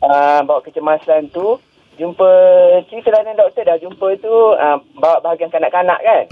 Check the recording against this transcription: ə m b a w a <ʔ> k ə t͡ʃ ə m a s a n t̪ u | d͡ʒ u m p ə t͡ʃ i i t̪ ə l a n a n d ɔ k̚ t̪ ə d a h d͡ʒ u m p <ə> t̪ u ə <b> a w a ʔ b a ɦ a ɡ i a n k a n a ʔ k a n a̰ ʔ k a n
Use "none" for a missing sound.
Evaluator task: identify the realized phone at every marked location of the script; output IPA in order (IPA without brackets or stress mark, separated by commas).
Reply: ʔ, ə, b